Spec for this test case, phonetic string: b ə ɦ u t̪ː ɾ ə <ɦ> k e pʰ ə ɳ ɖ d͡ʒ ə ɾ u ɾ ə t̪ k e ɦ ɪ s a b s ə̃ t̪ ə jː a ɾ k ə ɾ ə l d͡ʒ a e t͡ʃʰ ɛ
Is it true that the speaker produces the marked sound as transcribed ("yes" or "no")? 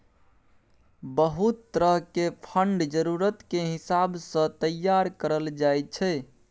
yes